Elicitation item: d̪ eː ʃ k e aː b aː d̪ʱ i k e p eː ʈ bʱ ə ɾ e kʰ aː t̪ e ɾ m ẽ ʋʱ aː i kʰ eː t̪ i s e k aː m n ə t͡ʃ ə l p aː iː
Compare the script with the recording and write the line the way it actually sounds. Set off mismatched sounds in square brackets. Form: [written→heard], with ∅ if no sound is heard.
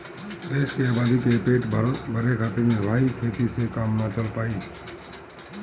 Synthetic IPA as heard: d̪ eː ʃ k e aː b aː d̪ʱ i k e p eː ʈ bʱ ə ɾ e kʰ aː t̪ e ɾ m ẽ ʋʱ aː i kʰ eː t̪ i s e k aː m n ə t͡ʃ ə l p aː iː